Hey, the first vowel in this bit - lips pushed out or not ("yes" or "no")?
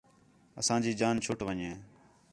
no